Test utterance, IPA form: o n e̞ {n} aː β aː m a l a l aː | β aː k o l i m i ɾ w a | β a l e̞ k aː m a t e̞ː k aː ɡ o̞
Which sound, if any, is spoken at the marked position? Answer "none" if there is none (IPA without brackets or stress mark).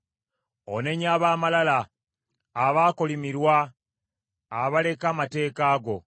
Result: ɲ